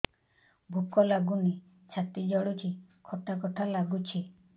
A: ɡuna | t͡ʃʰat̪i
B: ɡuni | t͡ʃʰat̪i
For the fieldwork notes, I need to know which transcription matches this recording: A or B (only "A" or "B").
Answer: B